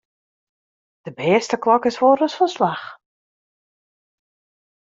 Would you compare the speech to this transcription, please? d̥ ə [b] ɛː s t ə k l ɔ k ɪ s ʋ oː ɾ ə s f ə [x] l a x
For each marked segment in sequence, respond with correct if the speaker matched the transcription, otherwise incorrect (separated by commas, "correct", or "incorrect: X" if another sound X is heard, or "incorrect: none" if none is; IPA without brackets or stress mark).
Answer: correct, incorrect: s